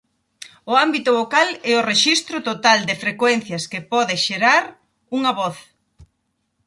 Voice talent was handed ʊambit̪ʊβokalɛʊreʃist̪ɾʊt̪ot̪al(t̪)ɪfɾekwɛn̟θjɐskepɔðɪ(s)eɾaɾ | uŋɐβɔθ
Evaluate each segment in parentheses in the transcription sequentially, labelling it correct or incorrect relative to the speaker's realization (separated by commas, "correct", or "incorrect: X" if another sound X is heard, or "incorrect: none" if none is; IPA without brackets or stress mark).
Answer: incorrect: d̪, incorrect: ʃ